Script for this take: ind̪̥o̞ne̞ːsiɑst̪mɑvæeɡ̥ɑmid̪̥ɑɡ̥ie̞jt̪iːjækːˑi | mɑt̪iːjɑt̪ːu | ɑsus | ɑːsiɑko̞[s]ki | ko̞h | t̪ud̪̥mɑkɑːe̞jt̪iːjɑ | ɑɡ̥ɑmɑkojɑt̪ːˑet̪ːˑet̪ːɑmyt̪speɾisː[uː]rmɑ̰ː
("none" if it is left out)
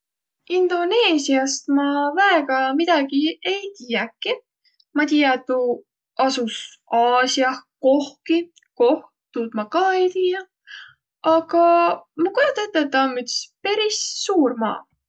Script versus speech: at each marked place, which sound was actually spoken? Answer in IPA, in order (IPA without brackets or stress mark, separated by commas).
h, uː